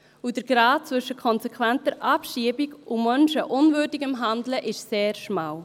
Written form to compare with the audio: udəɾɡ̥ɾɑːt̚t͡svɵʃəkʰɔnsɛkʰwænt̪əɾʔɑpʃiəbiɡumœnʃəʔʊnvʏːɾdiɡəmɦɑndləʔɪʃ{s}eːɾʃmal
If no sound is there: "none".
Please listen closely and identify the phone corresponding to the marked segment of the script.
s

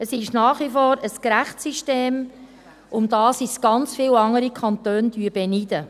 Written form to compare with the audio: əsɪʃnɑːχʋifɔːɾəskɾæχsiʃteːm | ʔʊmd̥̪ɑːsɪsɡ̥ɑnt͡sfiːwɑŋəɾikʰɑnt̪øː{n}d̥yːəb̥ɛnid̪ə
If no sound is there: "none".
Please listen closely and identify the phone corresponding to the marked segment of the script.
n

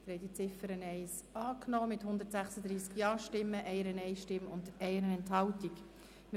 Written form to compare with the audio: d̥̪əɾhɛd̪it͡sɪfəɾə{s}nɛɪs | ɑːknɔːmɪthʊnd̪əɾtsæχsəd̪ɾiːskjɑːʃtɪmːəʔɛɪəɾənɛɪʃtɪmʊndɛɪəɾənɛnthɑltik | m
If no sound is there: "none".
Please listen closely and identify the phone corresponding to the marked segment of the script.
none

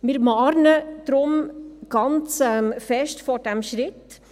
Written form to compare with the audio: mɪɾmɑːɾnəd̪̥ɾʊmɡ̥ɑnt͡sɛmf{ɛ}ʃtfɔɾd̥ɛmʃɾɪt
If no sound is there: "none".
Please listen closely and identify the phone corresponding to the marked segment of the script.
ɛ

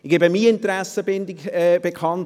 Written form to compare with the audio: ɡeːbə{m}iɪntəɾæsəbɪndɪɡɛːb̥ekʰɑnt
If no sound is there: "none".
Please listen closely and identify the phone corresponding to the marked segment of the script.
m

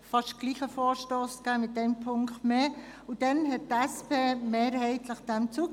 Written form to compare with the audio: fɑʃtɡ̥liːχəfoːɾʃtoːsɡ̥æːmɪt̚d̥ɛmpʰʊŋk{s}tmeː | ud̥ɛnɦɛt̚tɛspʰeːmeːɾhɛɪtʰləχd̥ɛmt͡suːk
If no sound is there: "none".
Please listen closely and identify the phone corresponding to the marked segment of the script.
χ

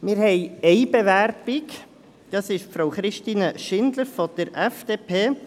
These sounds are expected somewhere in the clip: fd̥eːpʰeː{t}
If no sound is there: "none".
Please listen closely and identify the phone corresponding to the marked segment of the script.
none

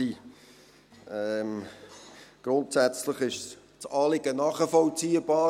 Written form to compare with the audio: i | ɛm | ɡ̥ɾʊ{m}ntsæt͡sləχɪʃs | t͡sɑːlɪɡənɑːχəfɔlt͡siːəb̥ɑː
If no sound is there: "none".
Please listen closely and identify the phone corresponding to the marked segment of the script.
none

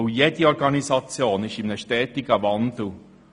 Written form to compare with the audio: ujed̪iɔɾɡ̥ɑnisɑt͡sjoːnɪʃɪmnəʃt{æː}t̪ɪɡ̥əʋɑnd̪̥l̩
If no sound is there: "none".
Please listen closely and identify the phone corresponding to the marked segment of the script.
ɛː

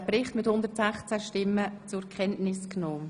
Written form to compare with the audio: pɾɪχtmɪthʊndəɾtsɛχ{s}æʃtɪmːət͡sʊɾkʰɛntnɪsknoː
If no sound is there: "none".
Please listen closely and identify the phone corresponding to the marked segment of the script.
t͡s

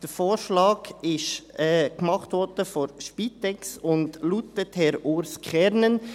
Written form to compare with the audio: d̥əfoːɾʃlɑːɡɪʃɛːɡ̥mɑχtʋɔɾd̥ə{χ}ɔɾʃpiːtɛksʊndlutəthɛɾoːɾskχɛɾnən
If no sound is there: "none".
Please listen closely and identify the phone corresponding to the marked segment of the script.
f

